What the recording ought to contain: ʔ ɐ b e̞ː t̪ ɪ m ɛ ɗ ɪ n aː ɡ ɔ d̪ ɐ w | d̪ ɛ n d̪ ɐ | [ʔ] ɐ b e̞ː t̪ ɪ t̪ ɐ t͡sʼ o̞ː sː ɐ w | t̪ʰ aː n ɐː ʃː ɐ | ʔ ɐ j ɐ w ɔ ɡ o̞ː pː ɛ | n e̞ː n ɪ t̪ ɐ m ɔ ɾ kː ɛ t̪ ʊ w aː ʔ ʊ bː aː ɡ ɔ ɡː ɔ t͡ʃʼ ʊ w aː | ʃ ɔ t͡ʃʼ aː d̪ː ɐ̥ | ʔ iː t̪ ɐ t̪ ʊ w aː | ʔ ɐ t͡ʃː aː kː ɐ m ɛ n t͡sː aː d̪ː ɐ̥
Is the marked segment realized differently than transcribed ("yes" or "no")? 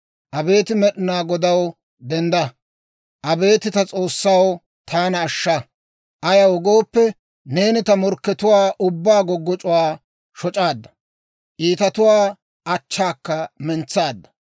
no